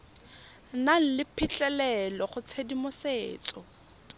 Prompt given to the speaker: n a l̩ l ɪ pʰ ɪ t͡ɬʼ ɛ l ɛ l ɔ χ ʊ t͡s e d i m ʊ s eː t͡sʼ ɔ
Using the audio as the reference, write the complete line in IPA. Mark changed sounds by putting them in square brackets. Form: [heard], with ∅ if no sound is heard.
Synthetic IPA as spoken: n a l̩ l ɪ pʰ ɪ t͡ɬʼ ɛ l ɛ l ɔ χ ʊ [t͡sʰ] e d i m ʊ s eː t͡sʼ ɔ